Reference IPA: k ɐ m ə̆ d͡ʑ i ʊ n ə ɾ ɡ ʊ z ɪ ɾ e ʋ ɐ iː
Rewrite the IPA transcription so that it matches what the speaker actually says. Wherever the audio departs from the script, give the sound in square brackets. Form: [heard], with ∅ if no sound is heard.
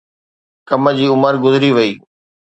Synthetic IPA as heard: k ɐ m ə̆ d͡ʑ [iː] ʊ [m] ə ɾ ɡ ʊ z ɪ ɾ [i] ʋ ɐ iː